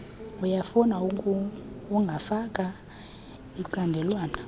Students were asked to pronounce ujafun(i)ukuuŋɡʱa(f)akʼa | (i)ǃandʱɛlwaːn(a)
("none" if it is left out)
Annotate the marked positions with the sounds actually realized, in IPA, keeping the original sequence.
a, f, i, a

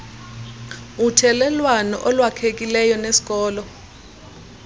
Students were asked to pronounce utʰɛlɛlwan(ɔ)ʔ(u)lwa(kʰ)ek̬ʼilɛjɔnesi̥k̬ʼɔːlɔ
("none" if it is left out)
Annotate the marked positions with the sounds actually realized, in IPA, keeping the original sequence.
ɔ, ɔ, kʰ

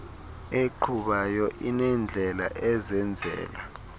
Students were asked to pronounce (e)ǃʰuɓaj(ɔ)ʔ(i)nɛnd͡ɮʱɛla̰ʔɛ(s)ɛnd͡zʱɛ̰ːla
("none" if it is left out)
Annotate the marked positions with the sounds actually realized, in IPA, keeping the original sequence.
e, ɔ, i, z

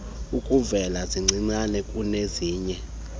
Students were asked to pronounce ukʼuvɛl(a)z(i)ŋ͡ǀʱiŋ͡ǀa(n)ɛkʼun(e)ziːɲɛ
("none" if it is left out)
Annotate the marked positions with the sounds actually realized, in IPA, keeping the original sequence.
a, i, n, e

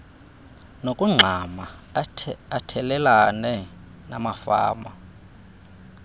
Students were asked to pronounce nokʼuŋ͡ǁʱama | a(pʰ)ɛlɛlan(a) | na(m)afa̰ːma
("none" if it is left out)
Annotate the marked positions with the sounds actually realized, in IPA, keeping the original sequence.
tʰ, ɛ, m

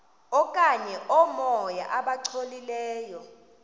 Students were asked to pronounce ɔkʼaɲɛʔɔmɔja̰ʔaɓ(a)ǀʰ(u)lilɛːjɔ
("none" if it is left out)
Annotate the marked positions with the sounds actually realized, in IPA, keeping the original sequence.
a, o

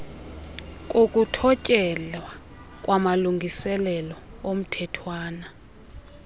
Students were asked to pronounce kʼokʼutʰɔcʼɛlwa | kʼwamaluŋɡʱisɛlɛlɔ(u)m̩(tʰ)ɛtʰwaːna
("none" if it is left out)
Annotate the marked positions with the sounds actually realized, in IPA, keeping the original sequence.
o, tʰ

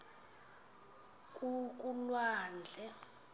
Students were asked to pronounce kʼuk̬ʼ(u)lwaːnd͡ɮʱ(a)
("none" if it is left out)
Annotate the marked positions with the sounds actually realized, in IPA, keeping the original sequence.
u, ɛ

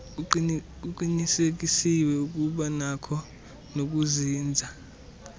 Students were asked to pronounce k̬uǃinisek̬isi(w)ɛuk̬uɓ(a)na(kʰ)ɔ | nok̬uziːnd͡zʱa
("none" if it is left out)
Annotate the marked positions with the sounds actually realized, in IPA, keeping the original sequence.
w, a, kʰ

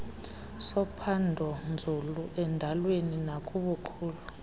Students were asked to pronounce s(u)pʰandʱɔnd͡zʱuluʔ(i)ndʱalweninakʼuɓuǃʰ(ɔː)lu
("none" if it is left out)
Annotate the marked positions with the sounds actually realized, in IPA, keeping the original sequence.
ɔ, ɛ, uː

